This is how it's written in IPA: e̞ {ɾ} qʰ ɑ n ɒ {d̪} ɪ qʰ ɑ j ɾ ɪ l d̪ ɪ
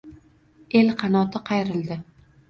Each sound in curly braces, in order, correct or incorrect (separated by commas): incorrect, incorrect